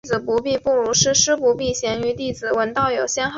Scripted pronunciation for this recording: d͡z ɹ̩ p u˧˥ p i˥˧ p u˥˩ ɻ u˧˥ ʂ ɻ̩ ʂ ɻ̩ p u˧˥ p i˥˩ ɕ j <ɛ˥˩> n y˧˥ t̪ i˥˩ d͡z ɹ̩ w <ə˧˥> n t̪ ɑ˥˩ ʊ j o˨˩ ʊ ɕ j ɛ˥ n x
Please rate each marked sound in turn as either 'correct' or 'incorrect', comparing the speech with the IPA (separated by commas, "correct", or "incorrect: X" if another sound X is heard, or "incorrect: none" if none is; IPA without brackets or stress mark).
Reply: incorrect: ɛ˧˥, correct